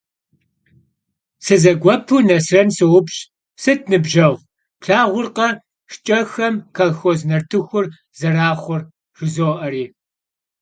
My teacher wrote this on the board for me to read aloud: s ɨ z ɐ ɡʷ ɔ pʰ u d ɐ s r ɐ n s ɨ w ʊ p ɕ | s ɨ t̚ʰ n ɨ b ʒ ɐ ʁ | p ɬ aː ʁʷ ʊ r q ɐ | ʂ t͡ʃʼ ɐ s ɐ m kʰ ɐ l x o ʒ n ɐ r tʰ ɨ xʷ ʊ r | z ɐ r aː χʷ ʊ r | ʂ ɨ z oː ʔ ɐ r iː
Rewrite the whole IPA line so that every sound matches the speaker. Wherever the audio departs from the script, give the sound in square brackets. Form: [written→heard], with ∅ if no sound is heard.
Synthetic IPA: s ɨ z ɐ ɡʷ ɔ pʰ u [d→n] ɐ s r ɐ n s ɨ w ʊ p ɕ | s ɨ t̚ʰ n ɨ b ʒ ɐ ʁ | p ɬ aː ʁʷ ʊ r q ɐ | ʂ t͡ʃʼ ɐ [s→x] ɐ m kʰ ɐ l x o [ʒ→z] n ɐ r tʰ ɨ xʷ ʊ r | z ɐ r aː χʷ ʊ r | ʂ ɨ z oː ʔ ɐ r iː

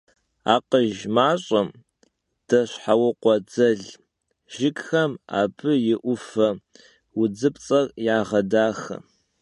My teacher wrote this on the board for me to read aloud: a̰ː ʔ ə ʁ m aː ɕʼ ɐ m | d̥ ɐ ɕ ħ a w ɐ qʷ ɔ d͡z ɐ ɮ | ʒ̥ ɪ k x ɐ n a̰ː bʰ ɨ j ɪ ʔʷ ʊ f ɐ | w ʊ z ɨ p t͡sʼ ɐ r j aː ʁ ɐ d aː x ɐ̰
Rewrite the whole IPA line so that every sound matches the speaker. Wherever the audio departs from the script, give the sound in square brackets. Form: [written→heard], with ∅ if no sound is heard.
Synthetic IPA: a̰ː [ʔ→q] ə [ʁ→ʒ] m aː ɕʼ ɐ m | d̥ ɐ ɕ ħ a w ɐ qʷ ɔ d͡z ɐ ɮ | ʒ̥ ɪ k x ɐ [n→m] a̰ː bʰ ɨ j ɪ ʔʷ ʊ f ɐ | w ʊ [z→d͡z] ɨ p t͡sʼ ɐ r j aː ʁ ɐ d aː x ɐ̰

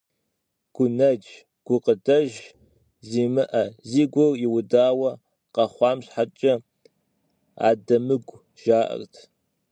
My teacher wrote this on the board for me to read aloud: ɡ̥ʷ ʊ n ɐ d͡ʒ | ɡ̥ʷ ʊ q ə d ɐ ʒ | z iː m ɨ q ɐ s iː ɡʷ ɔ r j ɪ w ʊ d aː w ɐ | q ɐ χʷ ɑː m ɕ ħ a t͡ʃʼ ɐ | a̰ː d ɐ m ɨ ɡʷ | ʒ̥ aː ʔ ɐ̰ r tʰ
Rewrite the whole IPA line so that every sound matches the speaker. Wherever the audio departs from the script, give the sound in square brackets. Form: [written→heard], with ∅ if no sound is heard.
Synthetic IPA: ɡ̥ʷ ʊ n ɐ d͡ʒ | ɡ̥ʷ ʊ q ə d ɐ ʒ | z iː m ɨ [q→ʔ] ɐ [s→z] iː ɡʷ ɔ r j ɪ w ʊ d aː w ɐ | q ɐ χʷ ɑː m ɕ ħ a t͡ʃʼ ɐ | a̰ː d ɐ m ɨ ɡʷ | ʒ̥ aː ʔ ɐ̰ r tʰ

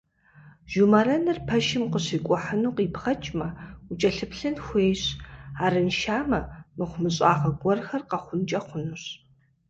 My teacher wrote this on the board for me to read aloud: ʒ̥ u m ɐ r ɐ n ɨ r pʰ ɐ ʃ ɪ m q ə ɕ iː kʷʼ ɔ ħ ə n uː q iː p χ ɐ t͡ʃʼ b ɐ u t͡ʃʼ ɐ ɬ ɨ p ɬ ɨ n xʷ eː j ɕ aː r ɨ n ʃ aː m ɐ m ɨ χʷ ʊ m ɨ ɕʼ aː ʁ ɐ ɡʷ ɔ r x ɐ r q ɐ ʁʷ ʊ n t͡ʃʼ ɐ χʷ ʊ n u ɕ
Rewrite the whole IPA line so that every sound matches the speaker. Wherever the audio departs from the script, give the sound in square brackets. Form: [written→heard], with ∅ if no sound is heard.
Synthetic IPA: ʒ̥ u m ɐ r ɐ n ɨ r pʰ ɐ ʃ ɪ m q ə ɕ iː kʷʼ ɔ ħ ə n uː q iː p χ ɐ t͡ʃʼ [b→m] ɐ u t͡ʃʼ ɐ ɬ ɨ p ɬ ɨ n xʷ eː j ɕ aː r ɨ n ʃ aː m ɐ m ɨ χʷ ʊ m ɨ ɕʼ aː ʁ ɐ ɡʷ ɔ r x ɐ r q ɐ [ʁʷ→χʷ] ʊ n t͡ʃʼ ɐ χʷ ʊ n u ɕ

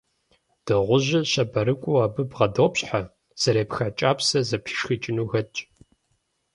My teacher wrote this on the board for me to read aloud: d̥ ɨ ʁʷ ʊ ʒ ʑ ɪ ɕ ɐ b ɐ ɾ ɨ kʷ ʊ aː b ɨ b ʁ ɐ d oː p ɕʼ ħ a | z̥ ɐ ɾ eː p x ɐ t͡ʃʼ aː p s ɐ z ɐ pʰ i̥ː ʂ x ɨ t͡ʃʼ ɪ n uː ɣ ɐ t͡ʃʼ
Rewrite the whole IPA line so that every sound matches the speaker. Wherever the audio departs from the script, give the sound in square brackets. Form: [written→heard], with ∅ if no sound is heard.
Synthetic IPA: d̥ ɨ ʁʷ ʊ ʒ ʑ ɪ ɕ ɐ b ɐ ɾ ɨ [kʷ→kʷʼ] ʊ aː b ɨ b ʁ ɐ d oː p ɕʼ ħ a | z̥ ɐ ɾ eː p x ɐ t͡ʃʼ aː p s ɐ z ɐ pʰ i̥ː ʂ x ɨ t͡ʃʼ ɪ n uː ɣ ɐ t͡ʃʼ

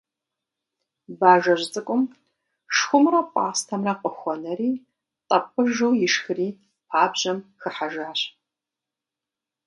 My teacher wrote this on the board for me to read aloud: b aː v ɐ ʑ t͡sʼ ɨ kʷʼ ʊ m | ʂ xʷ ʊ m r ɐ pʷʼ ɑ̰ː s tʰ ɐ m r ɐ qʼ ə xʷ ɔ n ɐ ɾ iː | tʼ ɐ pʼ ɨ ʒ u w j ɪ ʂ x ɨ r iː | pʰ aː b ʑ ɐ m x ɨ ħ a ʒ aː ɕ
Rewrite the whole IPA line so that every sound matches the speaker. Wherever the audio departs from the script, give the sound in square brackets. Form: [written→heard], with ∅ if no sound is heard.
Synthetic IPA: b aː [v→ʒ] ɐ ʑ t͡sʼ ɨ kʷʼ ʊ m | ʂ xʷ ʊ m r ɐ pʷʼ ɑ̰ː s tʰ ɐ m r ɐ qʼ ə xʷ ɔ n ɐ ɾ iː | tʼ ɐ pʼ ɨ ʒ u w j ɪ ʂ x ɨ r iː | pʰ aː b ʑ ɐ m x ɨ ħ a ʒ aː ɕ

